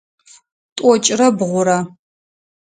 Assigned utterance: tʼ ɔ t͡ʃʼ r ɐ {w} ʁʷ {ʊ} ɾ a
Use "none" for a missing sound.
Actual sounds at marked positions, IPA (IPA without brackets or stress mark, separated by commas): b, ʊ